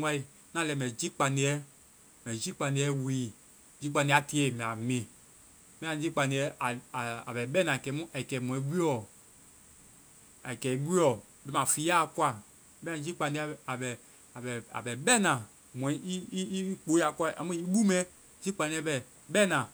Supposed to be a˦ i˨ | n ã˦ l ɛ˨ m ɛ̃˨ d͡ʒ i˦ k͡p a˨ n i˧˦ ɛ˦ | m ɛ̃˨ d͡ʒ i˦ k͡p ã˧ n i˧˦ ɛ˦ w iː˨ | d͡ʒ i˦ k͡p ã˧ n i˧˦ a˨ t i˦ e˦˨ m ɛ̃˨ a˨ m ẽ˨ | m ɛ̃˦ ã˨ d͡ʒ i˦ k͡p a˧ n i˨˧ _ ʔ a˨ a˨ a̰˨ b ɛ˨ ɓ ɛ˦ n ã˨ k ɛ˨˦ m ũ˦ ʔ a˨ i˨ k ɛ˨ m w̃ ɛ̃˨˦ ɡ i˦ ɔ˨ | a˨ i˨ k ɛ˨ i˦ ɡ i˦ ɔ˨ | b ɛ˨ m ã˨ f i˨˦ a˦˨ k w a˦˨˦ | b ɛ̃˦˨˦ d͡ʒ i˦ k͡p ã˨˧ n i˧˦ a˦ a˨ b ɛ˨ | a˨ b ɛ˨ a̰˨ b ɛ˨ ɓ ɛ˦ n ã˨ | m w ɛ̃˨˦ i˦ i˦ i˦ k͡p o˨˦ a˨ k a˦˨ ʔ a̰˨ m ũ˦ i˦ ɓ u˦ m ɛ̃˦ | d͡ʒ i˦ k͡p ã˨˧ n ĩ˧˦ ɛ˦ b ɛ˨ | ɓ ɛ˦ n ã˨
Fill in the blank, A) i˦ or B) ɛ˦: B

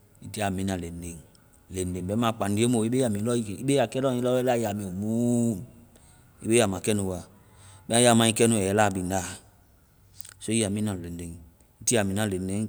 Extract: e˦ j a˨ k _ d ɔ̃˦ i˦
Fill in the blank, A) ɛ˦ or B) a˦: A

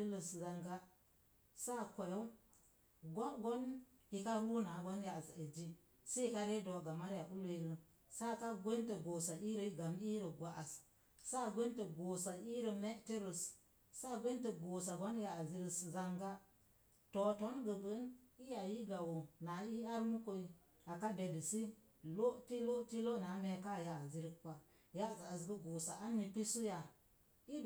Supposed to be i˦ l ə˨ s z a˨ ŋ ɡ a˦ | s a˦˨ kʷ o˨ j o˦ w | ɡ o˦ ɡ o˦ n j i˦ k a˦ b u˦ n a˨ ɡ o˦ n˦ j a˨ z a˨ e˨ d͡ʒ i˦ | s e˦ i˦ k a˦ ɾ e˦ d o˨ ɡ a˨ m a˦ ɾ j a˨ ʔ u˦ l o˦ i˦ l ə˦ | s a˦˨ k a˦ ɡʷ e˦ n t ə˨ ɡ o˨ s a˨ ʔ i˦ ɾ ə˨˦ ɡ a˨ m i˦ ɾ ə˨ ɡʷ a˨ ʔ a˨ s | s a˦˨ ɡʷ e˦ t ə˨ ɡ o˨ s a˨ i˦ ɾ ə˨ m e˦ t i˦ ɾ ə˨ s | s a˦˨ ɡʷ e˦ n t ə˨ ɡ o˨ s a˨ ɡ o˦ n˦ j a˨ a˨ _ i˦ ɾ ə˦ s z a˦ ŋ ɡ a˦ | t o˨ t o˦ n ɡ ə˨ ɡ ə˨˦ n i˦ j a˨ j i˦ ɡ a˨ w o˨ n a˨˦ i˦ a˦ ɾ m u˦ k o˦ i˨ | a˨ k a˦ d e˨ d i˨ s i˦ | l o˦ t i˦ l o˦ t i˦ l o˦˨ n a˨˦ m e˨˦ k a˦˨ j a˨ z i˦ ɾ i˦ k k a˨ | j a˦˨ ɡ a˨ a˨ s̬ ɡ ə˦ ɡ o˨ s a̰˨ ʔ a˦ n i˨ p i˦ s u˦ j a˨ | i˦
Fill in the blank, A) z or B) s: A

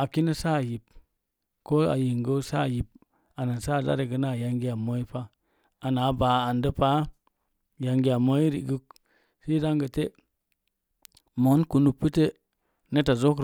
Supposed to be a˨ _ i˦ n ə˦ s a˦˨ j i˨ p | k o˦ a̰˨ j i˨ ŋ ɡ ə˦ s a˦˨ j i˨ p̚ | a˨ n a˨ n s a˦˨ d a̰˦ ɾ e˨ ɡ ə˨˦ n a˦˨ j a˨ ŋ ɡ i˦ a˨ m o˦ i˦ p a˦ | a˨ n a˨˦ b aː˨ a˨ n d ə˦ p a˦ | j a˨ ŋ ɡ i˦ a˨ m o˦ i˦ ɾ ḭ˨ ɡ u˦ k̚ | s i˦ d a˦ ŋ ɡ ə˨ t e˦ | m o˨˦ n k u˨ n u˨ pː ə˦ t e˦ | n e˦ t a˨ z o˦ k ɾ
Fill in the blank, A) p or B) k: B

